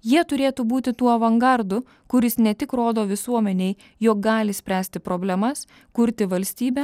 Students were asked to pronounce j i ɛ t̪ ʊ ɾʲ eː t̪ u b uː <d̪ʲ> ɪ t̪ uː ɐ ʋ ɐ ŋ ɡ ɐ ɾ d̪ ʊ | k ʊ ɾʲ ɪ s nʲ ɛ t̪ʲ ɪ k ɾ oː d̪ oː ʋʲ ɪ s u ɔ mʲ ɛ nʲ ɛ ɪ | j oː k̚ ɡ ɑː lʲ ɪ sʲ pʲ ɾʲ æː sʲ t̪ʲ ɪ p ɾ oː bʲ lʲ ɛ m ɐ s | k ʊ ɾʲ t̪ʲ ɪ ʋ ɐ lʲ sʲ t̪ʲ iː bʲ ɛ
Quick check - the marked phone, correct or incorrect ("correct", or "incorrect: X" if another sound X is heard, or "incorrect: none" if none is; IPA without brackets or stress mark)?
incorrect: t̪ʲ